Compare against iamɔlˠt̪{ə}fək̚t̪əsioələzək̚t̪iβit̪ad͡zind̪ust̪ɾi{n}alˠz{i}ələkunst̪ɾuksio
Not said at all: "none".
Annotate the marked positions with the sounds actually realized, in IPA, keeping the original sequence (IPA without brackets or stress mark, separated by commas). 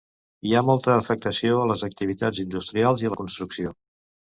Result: əː, none, i